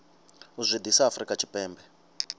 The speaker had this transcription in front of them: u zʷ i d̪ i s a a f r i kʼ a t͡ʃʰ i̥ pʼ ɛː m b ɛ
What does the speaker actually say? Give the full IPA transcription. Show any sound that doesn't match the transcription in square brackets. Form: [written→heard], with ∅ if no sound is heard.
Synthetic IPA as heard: u zʷ i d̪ i s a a f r i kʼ a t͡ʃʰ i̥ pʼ ɛː m b ɛ